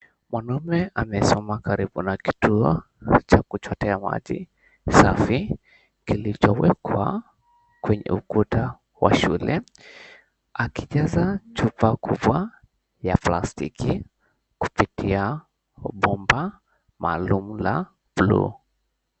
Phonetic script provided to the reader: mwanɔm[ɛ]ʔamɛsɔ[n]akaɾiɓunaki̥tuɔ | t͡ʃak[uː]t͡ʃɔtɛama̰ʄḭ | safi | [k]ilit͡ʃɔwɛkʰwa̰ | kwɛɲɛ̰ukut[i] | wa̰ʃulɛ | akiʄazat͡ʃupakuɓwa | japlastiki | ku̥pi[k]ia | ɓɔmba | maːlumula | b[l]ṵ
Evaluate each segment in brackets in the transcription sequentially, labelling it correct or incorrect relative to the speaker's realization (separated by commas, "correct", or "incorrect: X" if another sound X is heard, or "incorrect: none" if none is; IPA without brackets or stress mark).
correct, incorrect: m, incorrect: u, correct, incorrect: a, incorrect: t, correct